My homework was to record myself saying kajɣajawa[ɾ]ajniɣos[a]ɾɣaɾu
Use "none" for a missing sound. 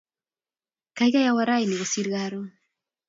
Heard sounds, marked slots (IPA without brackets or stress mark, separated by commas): ɾ, i